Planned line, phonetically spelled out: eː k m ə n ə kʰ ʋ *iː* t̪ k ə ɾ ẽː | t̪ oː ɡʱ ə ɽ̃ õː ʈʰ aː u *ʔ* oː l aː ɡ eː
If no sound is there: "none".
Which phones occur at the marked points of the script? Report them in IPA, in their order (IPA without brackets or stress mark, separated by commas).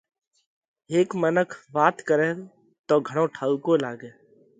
aː, k